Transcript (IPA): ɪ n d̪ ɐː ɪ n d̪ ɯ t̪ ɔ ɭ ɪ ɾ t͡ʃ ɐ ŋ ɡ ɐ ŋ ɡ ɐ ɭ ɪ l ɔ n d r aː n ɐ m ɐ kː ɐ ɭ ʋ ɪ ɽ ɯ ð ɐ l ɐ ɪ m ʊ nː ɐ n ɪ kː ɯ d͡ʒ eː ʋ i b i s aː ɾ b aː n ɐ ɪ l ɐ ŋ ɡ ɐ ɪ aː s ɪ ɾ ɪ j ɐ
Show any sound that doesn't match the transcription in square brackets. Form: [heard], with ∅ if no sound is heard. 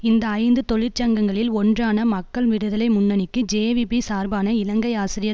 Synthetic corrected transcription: ɪ n d̪ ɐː ɪ n d̪ ɯ t̪ ɔ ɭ ɪ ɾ t͡ʃ ɐ ŋ ɡ ɐ ŋ ɡ ɐ ɭ ɪ l ɔ n d r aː n ɐ m ɐ kː ɐ ɭ ʋ ɪ ɽ ɯ ð ɐ l ɐ ɪ m ʊ nː ɐ n ɪ kː ɯ d͡ʒ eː ʋ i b i s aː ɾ b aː n ɐ ɪ l ɐ ŋ ɡ ɐ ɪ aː s ɪ ɾ ɪ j ɐ